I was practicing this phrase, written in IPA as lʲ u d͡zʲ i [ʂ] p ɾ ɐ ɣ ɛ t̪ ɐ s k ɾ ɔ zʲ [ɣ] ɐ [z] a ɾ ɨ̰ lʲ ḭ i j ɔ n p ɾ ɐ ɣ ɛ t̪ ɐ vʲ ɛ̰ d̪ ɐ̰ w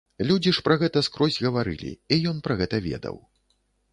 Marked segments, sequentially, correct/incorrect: correct, correct, incorrect: v

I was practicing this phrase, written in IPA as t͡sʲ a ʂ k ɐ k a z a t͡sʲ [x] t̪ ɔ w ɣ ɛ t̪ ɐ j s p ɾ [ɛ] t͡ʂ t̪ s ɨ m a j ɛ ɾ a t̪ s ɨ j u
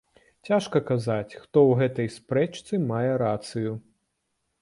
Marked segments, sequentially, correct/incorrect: correct, correct

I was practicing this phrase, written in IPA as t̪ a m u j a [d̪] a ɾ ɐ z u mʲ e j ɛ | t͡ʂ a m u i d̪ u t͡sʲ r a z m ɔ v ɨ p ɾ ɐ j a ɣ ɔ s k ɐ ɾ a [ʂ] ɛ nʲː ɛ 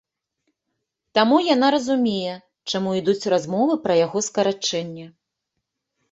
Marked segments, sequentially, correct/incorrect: incorrect: n̪, incorrect: t͡ʂ

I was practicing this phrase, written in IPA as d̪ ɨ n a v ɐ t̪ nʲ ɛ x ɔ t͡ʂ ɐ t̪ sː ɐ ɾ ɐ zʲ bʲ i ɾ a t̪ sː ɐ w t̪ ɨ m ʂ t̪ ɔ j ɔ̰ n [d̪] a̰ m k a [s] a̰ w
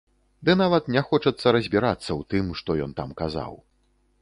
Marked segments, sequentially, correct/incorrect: incorrect: t̪, incorrect: z

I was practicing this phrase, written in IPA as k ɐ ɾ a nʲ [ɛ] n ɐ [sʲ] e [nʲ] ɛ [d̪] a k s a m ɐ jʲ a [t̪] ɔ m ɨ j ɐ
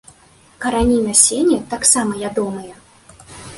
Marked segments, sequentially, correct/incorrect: incorrect: i, correct, correct, incorrect: t̪, incorrect: d̪

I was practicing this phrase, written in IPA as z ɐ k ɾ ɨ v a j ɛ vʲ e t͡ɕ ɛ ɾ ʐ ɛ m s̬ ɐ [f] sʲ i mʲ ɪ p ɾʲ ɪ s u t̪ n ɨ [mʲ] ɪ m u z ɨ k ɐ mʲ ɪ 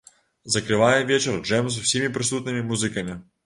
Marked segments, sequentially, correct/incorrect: correct, correct

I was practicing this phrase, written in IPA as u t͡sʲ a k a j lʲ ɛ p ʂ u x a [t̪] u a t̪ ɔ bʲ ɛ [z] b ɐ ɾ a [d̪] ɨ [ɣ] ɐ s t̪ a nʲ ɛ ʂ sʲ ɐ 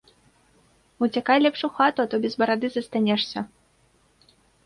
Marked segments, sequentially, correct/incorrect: correct, correct, correct, incorrect: z

